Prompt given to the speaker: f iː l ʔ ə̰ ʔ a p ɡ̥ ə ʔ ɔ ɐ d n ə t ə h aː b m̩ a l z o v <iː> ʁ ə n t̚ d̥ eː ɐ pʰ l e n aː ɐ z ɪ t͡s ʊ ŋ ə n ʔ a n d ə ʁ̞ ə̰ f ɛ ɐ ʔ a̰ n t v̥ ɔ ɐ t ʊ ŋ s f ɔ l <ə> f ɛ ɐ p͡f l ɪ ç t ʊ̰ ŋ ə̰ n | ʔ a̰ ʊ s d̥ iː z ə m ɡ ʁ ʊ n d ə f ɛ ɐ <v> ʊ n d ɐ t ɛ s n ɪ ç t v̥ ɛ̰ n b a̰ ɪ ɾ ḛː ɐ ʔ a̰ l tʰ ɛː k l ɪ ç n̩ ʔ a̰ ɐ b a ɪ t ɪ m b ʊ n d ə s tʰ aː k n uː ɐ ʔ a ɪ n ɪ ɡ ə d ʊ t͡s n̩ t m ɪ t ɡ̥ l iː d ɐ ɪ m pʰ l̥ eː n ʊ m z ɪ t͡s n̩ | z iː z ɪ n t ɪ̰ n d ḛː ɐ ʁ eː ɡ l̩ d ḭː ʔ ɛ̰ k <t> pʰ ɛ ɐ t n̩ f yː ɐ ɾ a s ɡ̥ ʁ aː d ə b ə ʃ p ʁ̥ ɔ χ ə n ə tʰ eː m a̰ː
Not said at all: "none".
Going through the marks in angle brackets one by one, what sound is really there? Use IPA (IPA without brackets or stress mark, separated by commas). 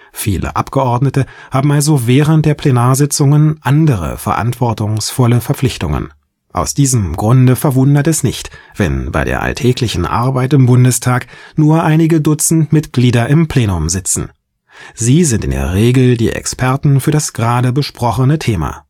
ɛː, ə, v, s